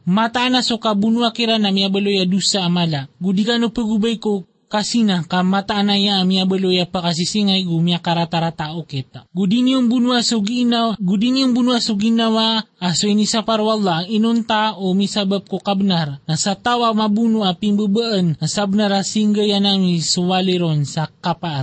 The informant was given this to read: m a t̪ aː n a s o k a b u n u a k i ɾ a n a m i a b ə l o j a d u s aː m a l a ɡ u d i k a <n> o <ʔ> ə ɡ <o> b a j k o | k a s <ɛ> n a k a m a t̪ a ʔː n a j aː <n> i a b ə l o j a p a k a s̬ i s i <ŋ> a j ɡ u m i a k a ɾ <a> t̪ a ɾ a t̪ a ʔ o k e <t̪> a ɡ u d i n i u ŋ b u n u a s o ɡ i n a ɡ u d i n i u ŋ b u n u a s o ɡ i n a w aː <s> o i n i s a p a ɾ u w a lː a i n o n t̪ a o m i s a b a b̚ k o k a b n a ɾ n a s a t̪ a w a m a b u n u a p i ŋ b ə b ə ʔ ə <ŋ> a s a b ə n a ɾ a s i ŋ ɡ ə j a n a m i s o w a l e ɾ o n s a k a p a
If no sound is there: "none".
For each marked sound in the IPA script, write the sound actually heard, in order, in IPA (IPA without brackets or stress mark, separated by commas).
n, p, u, i, m, ŋ, a, t̪, s, n